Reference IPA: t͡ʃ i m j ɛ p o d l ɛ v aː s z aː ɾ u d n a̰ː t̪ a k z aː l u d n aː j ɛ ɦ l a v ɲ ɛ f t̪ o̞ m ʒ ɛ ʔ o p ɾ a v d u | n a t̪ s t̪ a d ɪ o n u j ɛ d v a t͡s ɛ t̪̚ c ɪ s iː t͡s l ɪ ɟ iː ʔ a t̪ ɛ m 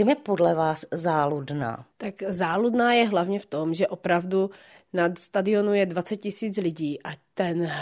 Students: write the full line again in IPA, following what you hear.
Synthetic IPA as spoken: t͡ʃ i m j ɛ p o d l ɛ v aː s z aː l u d n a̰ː t̪ a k z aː l u d n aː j ɛ ɦ l a v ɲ ɛ f t̪ o̞ m ʒ ɛ ʔ o p ɾ a v d u | n a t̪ s t̪ a d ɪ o n u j ɛ d v a t͡s ɛ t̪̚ c ɪ s iː t͡s l ɪ ɟ iː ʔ a t̪ ɛ n